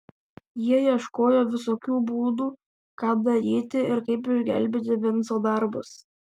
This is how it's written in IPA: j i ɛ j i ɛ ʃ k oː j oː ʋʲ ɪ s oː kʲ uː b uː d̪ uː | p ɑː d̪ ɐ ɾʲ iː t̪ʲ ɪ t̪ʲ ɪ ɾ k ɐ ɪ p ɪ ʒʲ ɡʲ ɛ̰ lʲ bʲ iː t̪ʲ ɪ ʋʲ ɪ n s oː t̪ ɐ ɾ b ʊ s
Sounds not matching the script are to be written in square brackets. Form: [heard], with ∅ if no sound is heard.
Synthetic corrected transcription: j i ɛ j i ɛ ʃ k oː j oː ʋʲ ɪ s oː kʲ uː b uː d̪ uː | [k] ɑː d̪ ɐ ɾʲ iː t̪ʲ ɪ [∅] ɪ ɾ k ɐ ɪ p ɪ ʒʲ ɡʲ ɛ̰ lʲ bʲ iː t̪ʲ ɪ ʋʲ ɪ n s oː [d̪] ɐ ɾ b ʊ s